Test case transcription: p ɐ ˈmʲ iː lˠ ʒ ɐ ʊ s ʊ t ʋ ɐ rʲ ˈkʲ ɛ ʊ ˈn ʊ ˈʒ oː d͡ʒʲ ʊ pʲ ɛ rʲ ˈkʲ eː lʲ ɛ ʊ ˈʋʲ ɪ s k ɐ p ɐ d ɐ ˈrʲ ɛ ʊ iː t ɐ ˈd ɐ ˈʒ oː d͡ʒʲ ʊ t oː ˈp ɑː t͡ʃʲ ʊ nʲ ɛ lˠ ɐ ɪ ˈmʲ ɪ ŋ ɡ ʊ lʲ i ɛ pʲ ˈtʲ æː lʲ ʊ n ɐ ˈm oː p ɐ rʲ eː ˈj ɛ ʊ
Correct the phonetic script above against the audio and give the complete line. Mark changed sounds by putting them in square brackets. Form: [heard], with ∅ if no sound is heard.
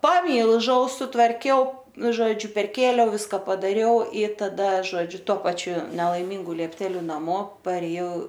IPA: p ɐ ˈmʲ iː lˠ ʒ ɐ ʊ s ʊ t ʋ ɐ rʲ ˈkʲ ɛ ʊ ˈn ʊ ˈʒ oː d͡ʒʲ ʊ pʲ ɛ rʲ ˈkʲ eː lʲ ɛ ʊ ˈʋʲ ɪ s k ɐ p ɐ d ɐ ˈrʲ ɛ ʊ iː t ɐ ˈd ɐ ˈʒ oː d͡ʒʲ ʊ t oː ˈp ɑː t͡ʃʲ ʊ nʲ ɛ lˠ ɐ ɪ ˈmʲ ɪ ŋ ɡ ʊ lʲ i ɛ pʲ ˈtʲ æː lʲ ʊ n ɐ ˈm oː p ɐ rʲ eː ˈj ɛ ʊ

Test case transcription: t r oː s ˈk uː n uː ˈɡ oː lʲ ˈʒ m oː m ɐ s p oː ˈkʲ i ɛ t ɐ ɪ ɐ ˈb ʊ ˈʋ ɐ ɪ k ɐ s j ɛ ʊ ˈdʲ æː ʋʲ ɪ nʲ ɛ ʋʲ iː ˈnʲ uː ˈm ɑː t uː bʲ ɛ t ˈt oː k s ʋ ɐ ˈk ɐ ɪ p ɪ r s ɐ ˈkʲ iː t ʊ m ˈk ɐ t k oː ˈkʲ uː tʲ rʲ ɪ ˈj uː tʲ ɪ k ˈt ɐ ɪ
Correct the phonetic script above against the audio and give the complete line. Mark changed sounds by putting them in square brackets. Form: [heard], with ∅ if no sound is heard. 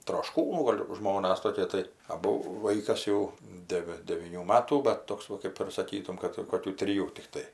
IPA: t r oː [ʃ] ˈk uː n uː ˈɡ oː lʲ ˈʒ m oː [n] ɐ s [t] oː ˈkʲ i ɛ t ɐ ɪ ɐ ˈb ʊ ˈʋ ɐ ɪ k ɐ s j ɛ ʊ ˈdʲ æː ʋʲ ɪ [dʲ] ɛ ʋʲ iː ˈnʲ uː ˈm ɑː t uː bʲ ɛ t ˈt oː k s ʋ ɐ ˈk ɐ ɪ p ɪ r s ɐ ˈkʲ iː t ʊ m ˈk ɐ t k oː ˈkʲ uː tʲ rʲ ɪ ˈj uː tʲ ɪ k ˈt ɐ ɪ

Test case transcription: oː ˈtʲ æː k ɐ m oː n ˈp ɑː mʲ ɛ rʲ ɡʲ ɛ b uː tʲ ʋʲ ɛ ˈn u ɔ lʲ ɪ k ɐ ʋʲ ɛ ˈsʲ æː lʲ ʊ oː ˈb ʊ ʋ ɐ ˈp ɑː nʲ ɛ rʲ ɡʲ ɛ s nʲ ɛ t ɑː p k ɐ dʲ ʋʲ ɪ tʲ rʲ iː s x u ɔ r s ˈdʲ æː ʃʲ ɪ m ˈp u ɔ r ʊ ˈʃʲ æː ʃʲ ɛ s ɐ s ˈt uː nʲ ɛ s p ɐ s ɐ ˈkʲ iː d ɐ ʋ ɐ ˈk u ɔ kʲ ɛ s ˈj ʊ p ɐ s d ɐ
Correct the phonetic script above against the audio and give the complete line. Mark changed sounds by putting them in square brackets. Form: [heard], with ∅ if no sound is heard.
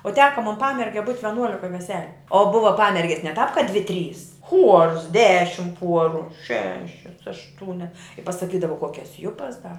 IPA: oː ˈtʲ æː k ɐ m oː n ˈp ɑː mʲ ɛ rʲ ɡʲ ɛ b uː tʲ ʋʲ ɛ ˈn u ɔ lʲ ɪ k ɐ ʋʲ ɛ ˈsʲ æː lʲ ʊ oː ˈb ʊ ʋ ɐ ˈp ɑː [mʲ] ɛ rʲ ɡʲ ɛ s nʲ ɛ t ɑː p k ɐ dʲ ʋʲ ɪ tʲ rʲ iː s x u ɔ r s ˈdʲ æː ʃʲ ɪ m ˈp u ɔ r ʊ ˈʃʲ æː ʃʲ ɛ s ɐ [ʃ] ˈt uː nʲ ɛ s p ɐ s ɐ ˈkʲ iː d ɐ ʋ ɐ ˈk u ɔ kʲ ɛ s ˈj ʊ p ɐ s d ɐ

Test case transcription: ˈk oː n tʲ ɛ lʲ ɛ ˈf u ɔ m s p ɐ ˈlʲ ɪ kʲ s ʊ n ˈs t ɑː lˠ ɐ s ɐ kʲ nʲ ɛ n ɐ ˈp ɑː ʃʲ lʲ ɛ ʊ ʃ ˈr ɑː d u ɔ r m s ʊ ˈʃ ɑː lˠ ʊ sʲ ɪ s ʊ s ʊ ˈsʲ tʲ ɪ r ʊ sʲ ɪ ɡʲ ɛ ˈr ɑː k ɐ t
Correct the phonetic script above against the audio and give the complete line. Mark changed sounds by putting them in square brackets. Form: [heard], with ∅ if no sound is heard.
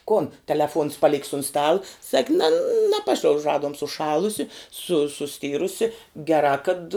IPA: ˈk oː n tʲ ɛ lʲ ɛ ˈf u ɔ [n] s p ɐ ˈlʲ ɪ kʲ s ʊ n ˈs t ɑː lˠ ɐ s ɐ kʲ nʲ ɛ n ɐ ˈp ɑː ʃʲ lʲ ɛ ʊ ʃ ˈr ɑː d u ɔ [∅] m s ʊ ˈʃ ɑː lˠ ʊ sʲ ɪ s ʊ s ʊ ˈsʲ tʲ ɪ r ʊ sʲ ɪ ɡʲ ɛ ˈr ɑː k ɐ t

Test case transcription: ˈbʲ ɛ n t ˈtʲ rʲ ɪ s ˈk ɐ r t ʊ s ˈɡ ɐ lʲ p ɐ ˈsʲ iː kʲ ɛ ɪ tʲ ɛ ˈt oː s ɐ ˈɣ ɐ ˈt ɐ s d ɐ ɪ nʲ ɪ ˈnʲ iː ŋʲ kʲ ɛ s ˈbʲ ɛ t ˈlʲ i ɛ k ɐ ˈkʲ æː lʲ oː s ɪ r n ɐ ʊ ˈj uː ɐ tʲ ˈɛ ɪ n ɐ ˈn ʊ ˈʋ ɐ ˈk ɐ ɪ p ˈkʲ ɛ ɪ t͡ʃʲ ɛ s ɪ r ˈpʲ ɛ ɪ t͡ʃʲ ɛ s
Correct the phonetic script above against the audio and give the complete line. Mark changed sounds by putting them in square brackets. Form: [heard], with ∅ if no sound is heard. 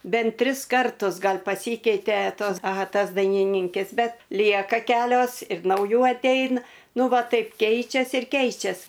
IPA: ˈbʲ ɛ n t ˈtʲ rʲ ɪ s ˈk ɐ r t ʊ s ˈɡ ɐ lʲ p ɐ ˈsʲ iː kʲ ɛ ɪ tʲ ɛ ˈt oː s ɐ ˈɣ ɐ ˈt ɐ s d ɐ ɪ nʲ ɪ ˈnʲ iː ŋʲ kʲ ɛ s ˈbʲ ɛ t ˈlʲ i ɛ k ɐ ˈkʲ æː lʲ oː s ɪ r n ɐ ʊ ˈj uː ɐ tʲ ˈɛ ɪ n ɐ ˈn ʊ ˈʋ ɐ [ˈt] ɐ ɪ p ˈkʲ ɛ ɪ t͡ʃʲ ɛ s ɪ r [ˈkʲ] ɛ ɪ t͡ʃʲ ɛ s

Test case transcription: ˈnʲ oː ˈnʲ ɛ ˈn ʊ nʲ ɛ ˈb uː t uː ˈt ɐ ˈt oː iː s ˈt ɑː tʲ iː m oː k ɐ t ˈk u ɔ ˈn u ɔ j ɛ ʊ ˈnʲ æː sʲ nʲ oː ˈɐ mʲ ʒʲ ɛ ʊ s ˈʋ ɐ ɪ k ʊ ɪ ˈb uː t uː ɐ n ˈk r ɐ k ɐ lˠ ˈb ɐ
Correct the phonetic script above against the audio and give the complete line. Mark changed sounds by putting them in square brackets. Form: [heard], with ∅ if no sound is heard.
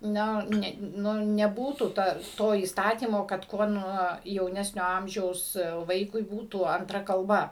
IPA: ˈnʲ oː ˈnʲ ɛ ˈn ʊ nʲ ɛ ˈb uː t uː ˈt ɐ ˈt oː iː s ˈt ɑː tʲ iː m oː k ɐ t ˈk u ɔ ˈn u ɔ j ɛ ʊ ˈnʲ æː sʲ nʲ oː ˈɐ mʲ ʒʲ ɛ ʊ s ˈʋ ɐ ɪ k ʊ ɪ ˈb uː t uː ɐ n [ˈt] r ɐ k ɐ lˠ ˈb ɐ

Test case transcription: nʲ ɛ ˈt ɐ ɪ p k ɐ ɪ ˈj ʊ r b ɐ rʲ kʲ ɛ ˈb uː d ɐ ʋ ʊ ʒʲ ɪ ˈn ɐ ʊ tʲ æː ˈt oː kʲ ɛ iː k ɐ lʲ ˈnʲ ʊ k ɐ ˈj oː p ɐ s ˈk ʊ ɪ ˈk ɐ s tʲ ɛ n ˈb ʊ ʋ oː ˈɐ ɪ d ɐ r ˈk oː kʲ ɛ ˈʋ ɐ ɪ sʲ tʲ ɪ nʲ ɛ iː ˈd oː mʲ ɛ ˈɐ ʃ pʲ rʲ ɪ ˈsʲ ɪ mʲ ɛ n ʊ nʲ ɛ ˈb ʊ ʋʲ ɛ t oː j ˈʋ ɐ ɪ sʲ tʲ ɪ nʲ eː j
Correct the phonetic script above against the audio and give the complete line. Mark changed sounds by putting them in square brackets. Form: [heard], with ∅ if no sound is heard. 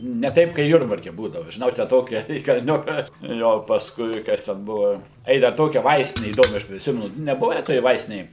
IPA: nʲ ɛ ˈt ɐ ɪ p k ɐ ɪ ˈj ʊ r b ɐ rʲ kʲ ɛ ˈb uː d ɐ ʋ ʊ ʒʲ ɪ ˈn ɐ ʊ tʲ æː ˈt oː kʲ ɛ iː k ɐ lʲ ˈnʲ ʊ k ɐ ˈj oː p ɐ s ˈk ʊ ɪ ˈk ɐ s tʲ ɛ n ˈb ʊ ʋ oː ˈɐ ɪ d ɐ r [ˈt] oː kʲ ɛ ˈʋ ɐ ɪ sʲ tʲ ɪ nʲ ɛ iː ˈd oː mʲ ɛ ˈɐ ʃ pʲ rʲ ɪ ˈsʲ ɪ mʲ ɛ n ʊ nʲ ɛ ˈb ʊ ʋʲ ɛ t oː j ˈʋ ɐ ɪ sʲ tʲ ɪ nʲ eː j

